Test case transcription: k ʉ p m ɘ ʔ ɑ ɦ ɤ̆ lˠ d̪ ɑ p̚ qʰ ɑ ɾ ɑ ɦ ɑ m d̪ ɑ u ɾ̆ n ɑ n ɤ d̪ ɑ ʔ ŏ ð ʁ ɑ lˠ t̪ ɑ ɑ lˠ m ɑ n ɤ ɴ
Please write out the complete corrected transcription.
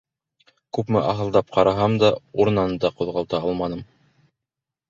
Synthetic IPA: k ʉ p m ɘ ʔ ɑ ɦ ɤ̆ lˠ d̪ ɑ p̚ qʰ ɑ ɾ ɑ ɦ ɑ m d̪ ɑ u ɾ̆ n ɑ n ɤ d̪ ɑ q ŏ ð ʁ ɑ lˠ t̪ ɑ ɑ lˠ m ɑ n ɤ m